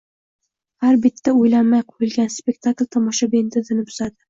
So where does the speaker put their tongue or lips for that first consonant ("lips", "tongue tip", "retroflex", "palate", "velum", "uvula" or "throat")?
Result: throat